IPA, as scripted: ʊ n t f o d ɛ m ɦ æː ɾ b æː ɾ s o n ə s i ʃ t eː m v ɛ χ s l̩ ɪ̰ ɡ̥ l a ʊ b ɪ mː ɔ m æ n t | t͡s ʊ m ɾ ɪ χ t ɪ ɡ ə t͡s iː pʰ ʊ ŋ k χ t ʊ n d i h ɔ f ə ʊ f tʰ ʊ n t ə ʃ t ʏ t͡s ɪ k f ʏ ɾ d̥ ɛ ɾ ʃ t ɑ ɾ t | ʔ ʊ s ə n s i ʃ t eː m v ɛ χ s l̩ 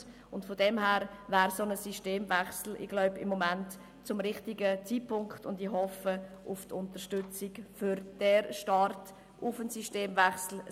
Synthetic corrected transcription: ʊ n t f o d ɛ m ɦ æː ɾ v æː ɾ s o n ə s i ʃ t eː m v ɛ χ s l̩ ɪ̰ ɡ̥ l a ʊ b ɪ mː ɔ m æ n t | t͡s ʊ m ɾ ɪ χ t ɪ ɡ ə t͡s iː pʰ ʊ ŋ k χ t ʊ n d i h ɔ f ə ʊ f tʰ ʊ n t ə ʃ t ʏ t͡s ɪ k f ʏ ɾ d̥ ɛ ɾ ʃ t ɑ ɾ t | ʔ ʊ f ə n s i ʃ t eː m v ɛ χ s l̩